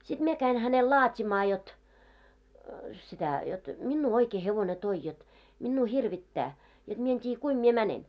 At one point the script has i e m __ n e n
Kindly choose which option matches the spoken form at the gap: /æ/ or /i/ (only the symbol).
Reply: æ